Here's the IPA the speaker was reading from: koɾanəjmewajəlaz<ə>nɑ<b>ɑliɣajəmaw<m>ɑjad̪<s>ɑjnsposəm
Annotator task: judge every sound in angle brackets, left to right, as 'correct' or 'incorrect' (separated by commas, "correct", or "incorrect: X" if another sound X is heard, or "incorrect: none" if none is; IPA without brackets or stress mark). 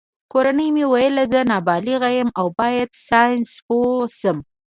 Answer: correct, correct, incorrect: b, correct